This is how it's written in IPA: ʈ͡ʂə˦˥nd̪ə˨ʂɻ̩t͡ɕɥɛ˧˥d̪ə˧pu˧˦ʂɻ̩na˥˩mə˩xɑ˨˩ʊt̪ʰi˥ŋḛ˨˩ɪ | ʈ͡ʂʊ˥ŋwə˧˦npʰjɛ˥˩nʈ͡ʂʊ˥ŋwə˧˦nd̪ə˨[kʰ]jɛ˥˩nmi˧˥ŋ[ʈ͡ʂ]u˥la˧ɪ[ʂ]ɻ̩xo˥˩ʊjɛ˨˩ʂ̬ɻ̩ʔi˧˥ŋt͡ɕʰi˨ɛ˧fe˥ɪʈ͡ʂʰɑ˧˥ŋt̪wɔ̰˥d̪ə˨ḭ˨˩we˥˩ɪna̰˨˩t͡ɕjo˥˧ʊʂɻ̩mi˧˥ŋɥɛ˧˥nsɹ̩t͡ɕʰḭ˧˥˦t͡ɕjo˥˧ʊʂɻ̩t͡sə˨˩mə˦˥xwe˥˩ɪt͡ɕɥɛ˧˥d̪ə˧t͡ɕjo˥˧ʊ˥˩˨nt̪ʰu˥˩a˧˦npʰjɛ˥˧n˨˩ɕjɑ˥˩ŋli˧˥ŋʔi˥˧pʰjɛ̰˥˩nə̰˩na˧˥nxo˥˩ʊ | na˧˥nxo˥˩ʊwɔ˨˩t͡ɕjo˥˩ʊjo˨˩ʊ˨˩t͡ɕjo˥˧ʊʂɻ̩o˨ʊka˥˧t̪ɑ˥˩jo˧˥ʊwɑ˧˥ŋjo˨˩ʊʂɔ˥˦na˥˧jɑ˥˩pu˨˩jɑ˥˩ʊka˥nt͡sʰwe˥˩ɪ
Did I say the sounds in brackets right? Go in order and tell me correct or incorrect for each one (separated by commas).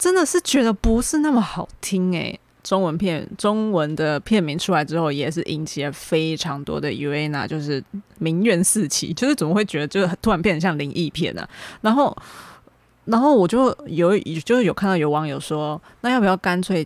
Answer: incorrect, incorrect, incorrect